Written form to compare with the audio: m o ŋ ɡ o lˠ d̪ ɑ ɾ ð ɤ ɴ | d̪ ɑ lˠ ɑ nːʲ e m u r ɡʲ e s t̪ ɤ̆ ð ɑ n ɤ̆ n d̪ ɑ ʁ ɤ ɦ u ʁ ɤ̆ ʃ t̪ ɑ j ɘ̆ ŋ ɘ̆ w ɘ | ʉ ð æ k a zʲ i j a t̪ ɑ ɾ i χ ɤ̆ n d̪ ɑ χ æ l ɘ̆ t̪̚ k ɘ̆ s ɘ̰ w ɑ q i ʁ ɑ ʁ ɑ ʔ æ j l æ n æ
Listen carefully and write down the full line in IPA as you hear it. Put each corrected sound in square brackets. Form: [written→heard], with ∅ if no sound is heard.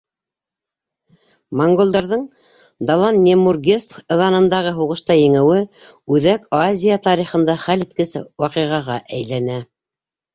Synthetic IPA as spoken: m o ŋ ɡ o lˠ d̪ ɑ ɾ ð ɤ ɴ | d̪ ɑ lˠ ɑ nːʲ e m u r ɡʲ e s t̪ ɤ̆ ð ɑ n ɤ̆ n d̪ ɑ ʁ ɤ ɦ u ʁ ɤ̆ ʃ t̪ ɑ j ɘ̆ ŋ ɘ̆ w ɘ | ʉ ð æ k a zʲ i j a t̪ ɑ ɾ i χ ɤ̆ n d̪ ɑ χ æ l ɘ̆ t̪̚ k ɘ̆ s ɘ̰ w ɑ q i ʁ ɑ ʁ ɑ ʔ æ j l æ n æ